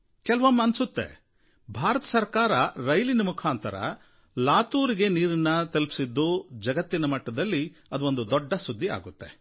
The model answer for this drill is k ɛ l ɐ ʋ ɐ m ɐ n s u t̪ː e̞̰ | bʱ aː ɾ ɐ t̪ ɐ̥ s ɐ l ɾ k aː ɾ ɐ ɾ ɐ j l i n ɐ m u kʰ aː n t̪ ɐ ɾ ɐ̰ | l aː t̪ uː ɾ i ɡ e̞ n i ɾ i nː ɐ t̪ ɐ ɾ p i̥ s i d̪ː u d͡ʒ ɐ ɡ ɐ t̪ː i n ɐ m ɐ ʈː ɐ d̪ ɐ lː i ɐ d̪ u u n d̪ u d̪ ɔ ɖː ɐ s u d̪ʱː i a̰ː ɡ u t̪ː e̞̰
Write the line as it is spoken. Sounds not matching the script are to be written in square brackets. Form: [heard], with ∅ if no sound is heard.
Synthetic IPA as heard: k ɛ l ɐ ʋ ɐ m ɐ n s u t̪ː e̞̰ | bʱ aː ɾ ɐ t̪ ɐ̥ s ɐ [∅] ɾ k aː ɾ ɐ ɾ ɐ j l i n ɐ m u kʰ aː n t̪ ɐ ɾ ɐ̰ | l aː t̪ uː ɾ i ɡ e̞ n [iː] ɾ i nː ɐ t̪ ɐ [l] p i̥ s i d̪ː u d͡ʒ ɐ ɡ ɐ t̪ː i n ɐ m ɐ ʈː ɐ d̪ ɐ lː i ɐ d̪ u [o] n d̪ u d̪ ɔ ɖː ɐ s u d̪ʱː i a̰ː ɡ u t̪ː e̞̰

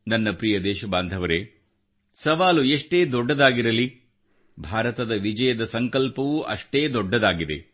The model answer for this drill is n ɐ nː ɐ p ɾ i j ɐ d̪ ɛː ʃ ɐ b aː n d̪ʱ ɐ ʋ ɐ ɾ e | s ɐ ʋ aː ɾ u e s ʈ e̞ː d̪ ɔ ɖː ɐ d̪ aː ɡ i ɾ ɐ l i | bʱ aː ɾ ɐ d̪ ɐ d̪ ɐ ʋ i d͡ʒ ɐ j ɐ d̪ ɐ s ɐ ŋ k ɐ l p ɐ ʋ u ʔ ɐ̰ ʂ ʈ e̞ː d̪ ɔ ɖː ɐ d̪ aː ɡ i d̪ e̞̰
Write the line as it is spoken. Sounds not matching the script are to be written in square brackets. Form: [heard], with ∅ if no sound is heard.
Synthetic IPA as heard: n ɐ nː ɐ p ɾ i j ɐ d̪ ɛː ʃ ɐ b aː n d̪ʱ ɐ ʋ ɐ ɾ e | s ɐ ʋ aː [l] u e [ʂ] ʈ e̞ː d̪ ɔ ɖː ɐ d̪ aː ɡ i ɾ ɐ l i | bʱ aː ɾ ɐ [t̪] ɐ d̪ ɐ ʋ i d͡ʒ ɐ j ɐ d̪ ɐ s ɐ ŋ k ɐ l p ɐ ʋ u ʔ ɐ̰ ʂ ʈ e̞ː d̪ ɔ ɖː ɐ d̪ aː ɡ i d̪ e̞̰

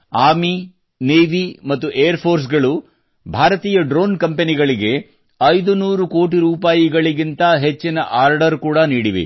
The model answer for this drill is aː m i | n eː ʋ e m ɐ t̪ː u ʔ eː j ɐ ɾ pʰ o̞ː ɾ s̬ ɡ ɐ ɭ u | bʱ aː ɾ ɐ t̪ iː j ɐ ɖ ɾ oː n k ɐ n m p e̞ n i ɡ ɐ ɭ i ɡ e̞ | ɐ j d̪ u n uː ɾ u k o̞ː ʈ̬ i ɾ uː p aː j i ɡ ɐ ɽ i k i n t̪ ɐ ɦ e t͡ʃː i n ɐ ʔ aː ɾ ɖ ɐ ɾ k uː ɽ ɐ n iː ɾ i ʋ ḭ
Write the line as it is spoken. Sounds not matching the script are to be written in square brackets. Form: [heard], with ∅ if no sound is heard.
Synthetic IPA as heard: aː m i | n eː ʋ [i] m ɐ t̪ː u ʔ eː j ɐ ɾ pʰ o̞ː ɾ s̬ ɡ ɐ ɭ u | bʱ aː ɾ ɐ t̪ iː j ɐ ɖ ɾ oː n k ɐ [∅] m p e̞ n i ɡ ɐ ɭ i ɡ e̞ | ɐ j d̪ u n uː ɾ u k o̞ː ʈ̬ i ɾ uː p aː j i ɡ ɐ [ɭ] i [ɡ] i n t̪ ɐ ɦ e t͡ʃː i n ɐ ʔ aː ɾ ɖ ɐ ɾ k uː ɽ ɐ n iː [ɽ] i ʋ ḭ

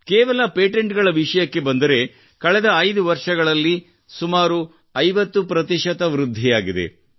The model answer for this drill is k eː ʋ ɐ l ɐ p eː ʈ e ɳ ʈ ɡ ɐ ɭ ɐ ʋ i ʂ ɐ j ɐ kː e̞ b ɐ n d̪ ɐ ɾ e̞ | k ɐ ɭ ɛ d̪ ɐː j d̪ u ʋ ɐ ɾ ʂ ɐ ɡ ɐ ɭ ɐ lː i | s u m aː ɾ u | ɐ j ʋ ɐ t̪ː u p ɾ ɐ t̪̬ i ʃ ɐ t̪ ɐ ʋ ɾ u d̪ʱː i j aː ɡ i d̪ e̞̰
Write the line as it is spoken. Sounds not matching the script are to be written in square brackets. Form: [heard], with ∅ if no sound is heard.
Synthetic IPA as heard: k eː ʋ ɐ l ɐ p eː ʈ e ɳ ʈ ɡ ɐ ɭ ɐ ʋ i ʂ ɐ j ɐ kː e̞ b ɐ n d̪ ɐ ɾ e̞ | k ɐ ɭ ɛ d̪ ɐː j d̪ u ʋ ɐ ɾ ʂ ɐ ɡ ɐ ɭ ɐ lː i | s u m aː ɾ u | ɐ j ʋ ɐ t̪ː u p ɾ ɐ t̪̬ i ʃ ɐ t̪ ɐ ʋ ɾ u d̪ʱː i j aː ɡ i d̪ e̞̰

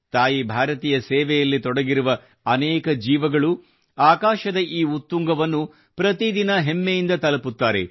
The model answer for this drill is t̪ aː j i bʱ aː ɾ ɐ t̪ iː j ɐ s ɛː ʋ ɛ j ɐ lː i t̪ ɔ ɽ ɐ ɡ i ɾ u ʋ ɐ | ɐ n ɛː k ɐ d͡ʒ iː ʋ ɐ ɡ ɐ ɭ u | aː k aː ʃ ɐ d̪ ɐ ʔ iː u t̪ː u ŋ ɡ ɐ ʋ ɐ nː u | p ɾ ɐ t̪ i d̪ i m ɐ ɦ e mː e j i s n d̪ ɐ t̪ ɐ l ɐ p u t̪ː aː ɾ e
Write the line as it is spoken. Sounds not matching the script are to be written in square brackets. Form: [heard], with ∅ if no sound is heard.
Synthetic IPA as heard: t̪ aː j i bʱ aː ɾ ɐ t̪ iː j ɐ s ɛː ʋ ɛ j ɐ lː i t̪ ɔ ɽ ɐ ɡ i ɾ u ʋ ɐ | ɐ n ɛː k ɐ d͡ʒ iː ʋ ɐ ɡ ɐ ɭ u | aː k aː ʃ ɐ d̪ ɐ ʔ iː u t̪ː u ŋ ɡ ɐ ʋ ɐ nː u | p ɾ ɐ t̪ i d̪ i [n] ɐ ɦ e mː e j i [∅] n d̪ ɐ t̪ ɐ l ɐ p u t̪ː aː ɾ e

